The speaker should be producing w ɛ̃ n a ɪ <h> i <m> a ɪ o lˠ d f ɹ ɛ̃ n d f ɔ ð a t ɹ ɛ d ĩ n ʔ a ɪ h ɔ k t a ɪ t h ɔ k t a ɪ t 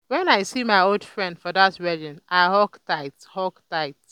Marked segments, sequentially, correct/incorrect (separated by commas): incorrect, correct